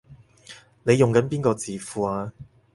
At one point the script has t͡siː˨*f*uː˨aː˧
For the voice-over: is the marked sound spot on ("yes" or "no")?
yes